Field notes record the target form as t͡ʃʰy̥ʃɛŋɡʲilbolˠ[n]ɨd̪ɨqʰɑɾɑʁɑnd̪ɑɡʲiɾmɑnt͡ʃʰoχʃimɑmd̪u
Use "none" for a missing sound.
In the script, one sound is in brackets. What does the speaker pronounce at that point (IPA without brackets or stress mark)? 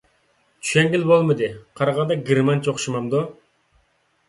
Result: m